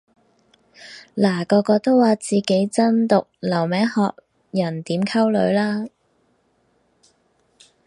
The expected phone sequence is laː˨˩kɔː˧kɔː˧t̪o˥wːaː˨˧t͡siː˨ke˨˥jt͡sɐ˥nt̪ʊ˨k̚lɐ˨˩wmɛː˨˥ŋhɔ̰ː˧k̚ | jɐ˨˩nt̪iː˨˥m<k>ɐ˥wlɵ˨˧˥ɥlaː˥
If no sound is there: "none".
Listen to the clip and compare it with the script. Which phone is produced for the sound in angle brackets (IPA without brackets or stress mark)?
kʰ